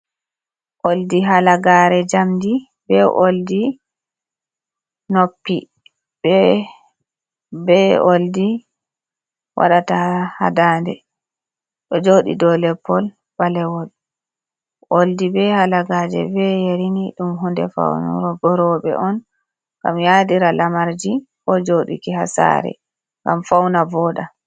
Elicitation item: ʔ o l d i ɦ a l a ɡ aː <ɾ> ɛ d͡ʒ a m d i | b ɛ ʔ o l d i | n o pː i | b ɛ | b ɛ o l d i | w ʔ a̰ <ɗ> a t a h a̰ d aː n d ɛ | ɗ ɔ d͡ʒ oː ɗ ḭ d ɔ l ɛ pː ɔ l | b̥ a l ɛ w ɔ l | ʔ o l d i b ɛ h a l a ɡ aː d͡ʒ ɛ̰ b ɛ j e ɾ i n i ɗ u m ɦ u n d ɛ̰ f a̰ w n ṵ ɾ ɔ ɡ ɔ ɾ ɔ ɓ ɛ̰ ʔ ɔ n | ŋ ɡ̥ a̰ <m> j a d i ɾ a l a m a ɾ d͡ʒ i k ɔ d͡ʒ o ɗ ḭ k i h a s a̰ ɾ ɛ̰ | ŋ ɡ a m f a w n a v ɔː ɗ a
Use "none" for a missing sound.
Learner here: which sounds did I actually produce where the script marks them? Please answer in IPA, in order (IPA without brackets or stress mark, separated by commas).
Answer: ɾ, ɗ, m